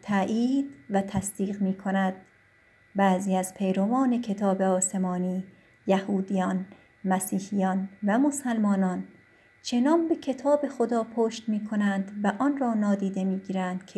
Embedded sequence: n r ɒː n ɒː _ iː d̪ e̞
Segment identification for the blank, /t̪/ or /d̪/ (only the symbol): d̪